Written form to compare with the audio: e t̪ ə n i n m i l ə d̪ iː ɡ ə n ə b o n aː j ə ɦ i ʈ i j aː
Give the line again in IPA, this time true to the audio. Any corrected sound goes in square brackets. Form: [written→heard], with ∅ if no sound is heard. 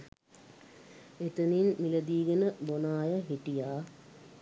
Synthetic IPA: e t̪ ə n i n m i l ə d̪ iː ɡ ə n ə b o n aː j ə ɦ i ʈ i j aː